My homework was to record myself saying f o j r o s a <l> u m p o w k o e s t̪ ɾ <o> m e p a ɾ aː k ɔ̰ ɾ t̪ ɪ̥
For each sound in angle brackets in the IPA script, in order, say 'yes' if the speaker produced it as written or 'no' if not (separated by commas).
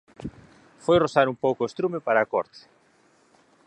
no, no